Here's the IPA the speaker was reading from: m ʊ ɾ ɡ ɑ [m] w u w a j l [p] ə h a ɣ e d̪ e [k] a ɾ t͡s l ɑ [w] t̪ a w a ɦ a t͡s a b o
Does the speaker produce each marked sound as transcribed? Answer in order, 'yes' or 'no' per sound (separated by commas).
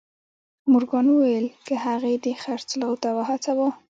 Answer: no, no, no, yes